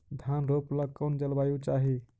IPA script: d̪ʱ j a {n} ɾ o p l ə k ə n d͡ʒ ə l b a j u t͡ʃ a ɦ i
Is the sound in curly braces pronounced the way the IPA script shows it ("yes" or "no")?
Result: yes